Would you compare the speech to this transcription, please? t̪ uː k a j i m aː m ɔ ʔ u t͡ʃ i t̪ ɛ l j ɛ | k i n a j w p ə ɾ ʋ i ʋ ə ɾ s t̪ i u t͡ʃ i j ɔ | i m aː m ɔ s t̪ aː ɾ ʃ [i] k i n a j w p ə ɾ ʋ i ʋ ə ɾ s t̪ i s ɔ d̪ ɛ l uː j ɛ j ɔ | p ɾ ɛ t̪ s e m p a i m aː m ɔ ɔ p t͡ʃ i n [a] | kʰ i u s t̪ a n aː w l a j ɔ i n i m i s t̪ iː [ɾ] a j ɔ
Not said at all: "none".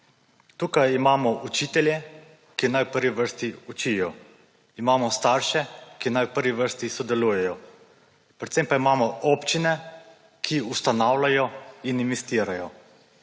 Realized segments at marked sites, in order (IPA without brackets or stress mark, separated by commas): ɛ, ɛ, ɾ